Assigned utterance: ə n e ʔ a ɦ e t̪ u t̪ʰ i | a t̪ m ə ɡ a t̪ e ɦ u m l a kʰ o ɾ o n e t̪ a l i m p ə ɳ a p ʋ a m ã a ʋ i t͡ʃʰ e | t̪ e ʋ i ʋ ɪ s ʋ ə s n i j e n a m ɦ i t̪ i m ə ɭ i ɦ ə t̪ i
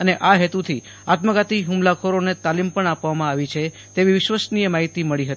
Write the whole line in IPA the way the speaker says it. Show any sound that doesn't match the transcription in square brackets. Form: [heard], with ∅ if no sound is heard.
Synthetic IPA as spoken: ə n e ʔ a ɦ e t̪ u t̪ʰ i | a t̪ m ə ɡ a t̪ [i] ɦ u m l a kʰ o ɾ o n e t̪ a l i m p ə ɳ a p ʋ a m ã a ʋ i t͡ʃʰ e | t̪ e ʋ i ʋ ɪ [ʃ] ʋ ə s n i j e [m] a [∅] ɦ i t̪ i m ə ɭ i ɦ ə t̪ i